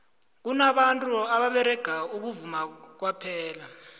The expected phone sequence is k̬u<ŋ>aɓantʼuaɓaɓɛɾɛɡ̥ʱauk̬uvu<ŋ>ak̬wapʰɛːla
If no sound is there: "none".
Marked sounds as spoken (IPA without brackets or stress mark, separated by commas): n, m